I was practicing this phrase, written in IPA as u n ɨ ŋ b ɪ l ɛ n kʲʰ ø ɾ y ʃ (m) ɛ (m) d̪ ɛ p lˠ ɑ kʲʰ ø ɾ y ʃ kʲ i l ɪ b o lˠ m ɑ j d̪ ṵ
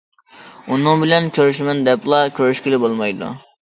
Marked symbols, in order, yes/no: yes, no

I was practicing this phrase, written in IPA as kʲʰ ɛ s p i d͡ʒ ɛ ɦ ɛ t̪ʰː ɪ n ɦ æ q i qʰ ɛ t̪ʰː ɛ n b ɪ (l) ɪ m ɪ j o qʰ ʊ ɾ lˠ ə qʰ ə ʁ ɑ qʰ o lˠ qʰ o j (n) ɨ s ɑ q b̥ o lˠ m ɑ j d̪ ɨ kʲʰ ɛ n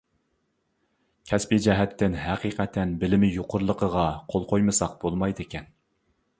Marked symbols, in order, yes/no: yes, no

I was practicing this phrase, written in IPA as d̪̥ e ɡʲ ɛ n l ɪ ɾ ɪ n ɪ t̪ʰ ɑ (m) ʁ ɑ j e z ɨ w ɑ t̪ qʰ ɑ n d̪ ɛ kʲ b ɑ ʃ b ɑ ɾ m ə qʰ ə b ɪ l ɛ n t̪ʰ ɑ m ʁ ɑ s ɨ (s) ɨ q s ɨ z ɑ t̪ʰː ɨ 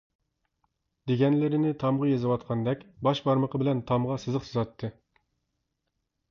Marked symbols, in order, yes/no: yes, no

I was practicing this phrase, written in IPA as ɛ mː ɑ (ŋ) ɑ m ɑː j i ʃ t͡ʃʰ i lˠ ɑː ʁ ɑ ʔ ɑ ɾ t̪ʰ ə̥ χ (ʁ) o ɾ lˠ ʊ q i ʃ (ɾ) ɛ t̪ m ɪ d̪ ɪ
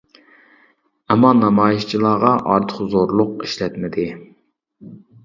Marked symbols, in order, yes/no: no, no, no

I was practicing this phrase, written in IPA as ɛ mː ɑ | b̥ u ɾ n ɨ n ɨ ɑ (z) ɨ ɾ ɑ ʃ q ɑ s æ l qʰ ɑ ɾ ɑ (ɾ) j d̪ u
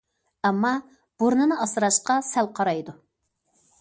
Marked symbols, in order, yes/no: no, no

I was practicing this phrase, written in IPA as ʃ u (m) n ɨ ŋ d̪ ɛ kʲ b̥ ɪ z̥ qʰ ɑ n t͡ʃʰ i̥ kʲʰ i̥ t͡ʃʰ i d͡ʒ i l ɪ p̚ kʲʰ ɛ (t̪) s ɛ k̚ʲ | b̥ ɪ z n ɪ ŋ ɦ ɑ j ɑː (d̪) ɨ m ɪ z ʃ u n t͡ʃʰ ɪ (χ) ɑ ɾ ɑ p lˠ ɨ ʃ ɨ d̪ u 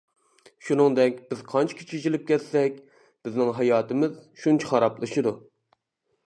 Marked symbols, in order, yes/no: no, yes, no, yes

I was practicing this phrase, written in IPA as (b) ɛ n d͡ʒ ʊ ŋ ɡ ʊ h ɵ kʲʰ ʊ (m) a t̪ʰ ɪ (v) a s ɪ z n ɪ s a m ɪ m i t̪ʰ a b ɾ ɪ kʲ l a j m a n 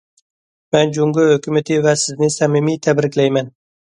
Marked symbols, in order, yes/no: no, yes, yes

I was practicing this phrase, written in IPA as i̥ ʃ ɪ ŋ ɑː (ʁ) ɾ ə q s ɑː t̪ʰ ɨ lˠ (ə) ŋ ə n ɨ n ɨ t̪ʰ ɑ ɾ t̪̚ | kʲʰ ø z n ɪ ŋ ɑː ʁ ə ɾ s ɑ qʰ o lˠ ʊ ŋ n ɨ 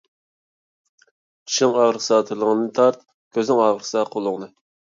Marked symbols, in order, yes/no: yes, yes

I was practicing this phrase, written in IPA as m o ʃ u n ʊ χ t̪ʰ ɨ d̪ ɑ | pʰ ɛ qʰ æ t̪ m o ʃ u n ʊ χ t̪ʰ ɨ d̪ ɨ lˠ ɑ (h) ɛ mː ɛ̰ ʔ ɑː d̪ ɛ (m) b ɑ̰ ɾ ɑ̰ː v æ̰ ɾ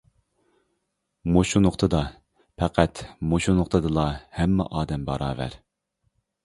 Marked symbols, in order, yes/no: yes, yes

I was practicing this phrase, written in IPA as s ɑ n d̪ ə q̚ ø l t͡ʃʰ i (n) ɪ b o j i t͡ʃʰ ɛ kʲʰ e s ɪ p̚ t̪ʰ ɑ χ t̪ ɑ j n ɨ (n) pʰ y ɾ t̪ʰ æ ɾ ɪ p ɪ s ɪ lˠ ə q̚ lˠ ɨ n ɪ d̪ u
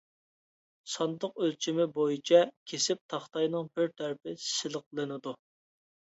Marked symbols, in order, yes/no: no, no

